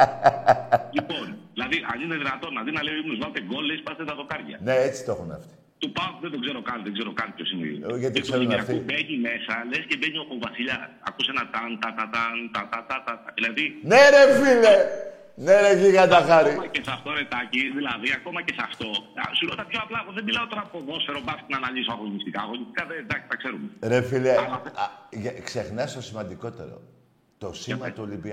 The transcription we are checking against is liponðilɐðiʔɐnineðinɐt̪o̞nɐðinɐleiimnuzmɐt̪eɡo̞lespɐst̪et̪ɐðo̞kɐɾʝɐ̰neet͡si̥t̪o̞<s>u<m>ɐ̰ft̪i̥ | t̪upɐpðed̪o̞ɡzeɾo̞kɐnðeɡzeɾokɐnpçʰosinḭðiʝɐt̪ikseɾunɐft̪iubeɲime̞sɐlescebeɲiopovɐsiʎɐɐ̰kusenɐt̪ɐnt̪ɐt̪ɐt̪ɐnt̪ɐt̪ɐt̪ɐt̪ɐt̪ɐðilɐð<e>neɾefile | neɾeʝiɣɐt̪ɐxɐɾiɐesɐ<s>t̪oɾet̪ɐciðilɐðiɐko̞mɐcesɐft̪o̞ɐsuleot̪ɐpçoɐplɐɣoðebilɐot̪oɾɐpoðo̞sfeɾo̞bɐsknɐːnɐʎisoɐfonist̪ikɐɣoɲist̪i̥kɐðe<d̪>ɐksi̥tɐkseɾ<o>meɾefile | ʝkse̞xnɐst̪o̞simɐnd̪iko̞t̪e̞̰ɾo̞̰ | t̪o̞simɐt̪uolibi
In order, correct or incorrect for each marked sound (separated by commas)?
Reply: incorrect, incorrect, incorrect, incorrect, correct, incorrect